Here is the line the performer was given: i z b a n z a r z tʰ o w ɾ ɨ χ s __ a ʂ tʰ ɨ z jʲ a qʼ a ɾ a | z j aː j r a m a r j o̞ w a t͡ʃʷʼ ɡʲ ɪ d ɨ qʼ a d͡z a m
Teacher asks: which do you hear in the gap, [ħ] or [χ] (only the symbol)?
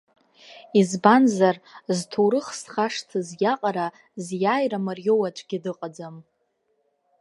χ